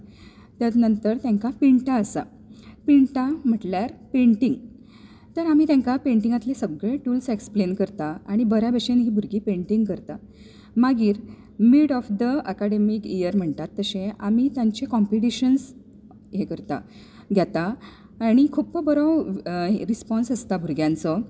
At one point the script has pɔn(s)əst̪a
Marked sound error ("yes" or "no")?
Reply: no